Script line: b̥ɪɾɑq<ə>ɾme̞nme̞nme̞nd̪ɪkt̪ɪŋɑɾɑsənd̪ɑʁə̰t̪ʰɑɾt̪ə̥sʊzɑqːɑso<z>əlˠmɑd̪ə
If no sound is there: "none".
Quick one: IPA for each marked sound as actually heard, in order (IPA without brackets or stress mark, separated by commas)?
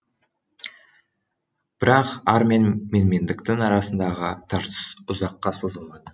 ɑ, z